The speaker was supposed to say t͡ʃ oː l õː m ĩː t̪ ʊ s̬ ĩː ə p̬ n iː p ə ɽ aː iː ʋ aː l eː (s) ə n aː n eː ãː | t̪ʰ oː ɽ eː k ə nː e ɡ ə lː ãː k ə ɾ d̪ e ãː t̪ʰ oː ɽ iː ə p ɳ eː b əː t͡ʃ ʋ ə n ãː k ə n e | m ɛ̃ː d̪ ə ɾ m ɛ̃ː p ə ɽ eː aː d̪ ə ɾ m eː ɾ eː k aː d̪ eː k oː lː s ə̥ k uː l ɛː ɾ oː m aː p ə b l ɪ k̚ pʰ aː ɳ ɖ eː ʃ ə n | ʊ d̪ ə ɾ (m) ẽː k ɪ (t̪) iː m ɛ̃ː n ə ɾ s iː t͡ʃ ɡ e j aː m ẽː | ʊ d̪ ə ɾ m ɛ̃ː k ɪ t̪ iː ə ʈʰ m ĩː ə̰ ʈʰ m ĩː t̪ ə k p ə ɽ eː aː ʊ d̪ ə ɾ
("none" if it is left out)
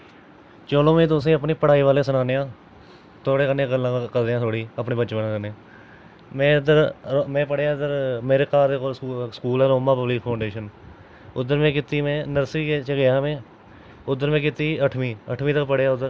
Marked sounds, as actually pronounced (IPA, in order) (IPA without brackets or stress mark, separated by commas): s, m, t̪